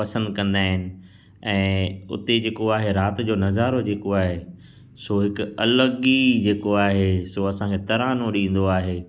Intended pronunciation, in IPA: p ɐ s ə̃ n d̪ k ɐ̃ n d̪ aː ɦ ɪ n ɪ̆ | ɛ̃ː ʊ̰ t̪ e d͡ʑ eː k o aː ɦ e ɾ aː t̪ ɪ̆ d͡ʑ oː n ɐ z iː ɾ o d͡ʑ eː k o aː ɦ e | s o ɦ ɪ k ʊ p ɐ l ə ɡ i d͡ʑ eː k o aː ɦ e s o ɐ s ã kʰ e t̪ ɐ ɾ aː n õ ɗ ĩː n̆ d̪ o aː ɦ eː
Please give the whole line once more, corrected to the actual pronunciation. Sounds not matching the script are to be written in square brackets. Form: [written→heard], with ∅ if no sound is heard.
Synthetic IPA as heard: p ɐ s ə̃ n d̪ k ɐ̃ n d̪ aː ɦ ɪ n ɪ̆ | ɛ̃ː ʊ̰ t̪ e d͡ʑ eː k o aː ɦ e ɾ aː t̪ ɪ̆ d͡ʑ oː n ɐ z [iː→aː] ɾ o d͡ʑ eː k o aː ɦ e | s o ɦ ɪ k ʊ [p→∅] ɐ l ə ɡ i d͡ʑ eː k o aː ɦ e s o ɐ s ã kʰ e t̪ ɐ ɾ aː n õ ɗ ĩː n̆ d̪ o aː ɦ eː